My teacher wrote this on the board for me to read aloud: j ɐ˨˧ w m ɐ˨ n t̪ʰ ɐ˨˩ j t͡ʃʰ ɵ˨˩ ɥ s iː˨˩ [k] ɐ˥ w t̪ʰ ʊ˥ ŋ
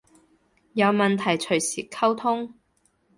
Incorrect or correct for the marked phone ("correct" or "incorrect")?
incorrect